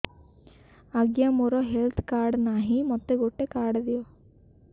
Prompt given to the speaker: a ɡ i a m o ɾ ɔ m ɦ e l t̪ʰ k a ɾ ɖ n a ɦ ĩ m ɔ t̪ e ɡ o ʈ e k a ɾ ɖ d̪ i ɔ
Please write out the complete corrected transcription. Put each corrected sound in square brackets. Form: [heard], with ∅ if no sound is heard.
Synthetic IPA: a ɡ [j] a m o ɾ ɔ [∅] ɦ e l t̪ʰ k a ɾ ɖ n a ɦ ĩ m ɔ t̪ e ɡ o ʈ e k a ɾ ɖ d̪ i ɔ